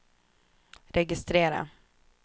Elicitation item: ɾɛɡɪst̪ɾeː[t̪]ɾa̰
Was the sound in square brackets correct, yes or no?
no